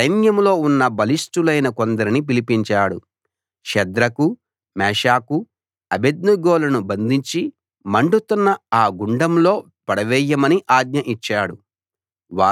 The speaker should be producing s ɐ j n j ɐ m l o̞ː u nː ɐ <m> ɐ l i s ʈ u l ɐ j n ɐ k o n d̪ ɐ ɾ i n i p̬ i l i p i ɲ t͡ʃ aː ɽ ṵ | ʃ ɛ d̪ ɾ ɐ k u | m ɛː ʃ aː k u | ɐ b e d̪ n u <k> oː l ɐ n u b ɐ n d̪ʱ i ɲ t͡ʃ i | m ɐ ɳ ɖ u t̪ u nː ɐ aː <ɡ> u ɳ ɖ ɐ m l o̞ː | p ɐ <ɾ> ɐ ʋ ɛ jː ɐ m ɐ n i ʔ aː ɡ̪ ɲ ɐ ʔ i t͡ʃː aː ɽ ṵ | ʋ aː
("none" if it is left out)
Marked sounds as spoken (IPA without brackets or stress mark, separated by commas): b, ɡ, ɡ, ɽ